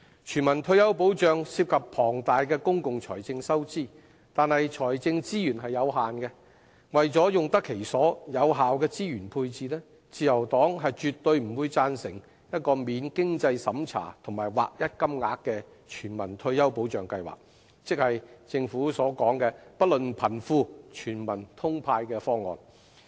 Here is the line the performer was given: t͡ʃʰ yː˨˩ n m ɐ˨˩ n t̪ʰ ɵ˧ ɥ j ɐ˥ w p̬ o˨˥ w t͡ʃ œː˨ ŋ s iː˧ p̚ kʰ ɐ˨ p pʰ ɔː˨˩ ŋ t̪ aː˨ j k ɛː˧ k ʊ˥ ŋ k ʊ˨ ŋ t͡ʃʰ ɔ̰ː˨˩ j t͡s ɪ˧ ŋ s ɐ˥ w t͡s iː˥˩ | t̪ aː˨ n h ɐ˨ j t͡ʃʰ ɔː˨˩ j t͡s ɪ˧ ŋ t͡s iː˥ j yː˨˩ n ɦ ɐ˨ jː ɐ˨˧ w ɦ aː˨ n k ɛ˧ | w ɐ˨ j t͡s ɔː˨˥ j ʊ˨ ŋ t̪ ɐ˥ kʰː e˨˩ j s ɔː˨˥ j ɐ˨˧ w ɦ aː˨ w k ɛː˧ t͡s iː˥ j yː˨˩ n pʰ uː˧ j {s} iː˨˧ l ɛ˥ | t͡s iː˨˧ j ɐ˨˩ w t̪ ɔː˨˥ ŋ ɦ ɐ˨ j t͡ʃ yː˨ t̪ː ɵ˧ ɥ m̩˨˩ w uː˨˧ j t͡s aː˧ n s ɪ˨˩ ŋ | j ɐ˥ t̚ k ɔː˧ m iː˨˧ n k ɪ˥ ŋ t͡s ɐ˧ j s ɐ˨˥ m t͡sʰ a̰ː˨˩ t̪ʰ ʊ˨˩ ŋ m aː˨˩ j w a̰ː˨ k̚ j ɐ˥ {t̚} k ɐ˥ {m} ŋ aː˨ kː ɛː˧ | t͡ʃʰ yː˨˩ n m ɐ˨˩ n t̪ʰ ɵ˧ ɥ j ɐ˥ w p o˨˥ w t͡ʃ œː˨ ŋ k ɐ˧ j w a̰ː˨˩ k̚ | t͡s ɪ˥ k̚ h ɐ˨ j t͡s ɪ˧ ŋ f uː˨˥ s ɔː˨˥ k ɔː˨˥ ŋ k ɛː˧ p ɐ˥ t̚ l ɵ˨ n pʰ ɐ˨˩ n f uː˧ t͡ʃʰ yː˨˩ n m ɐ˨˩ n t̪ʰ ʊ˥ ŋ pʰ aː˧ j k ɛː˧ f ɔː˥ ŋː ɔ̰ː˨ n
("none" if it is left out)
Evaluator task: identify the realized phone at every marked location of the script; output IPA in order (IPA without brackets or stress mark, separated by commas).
t͡s, t̚, m